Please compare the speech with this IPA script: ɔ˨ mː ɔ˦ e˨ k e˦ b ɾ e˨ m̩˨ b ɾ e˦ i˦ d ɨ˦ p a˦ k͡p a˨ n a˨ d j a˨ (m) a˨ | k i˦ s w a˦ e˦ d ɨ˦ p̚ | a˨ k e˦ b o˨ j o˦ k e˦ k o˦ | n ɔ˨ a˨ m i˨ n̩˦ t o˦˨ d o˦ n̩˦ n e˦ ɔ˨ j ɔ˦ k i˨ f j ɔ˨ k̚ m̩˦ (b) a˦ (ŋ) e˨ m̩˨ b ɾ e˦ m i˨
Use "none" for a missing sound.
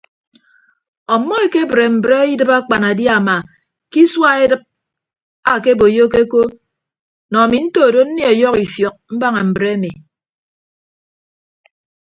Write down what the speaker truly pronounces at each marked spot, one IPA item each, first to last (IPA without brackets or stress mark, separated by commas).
m, b, ŋ